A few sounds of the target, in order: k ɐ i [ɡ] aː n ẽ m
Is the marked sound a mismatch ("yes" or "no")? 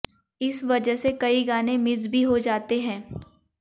no